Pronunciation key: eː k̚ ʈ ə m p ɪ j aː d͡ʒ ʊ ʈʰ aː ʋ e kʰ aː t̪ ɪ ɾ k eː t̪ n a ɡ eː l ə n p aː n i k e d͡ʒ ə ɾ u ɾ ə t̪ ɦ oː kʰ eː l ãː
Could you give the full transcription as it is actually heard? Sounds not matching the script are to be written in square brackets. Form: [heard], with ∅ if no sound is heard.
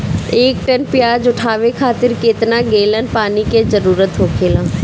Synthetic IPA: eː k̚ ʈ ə [n] p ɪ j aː d͡ʒ ʊ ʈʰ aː ʋ e kʰ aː t̪ ɪ ɾ k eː t̪ n a ɡ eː l ə n p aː n i k e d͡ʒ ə ɾ [uː] ɾ ə t̪ ɦ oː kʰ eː l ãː